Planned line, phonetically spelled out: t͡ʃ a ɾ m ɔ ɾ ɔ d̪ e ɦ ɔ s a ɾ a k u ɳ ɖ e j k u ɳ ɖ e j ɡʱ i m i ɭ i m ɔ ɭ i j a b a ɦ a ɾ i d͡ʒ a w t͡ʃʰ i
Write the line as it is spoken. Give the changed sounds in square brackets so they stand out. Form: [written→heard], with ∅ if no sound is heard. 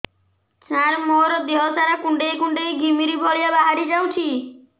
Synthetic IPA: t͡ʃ a ɾ m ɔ ɾ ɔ d̪ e ɦ ɔ s a ɾ a k u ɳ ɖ e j k u ɳ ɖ e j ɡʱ i m i [ɭ→ɾ] i [m→b] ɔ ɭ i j a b a ɦ a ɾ i d͡ʒ a w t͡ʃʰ i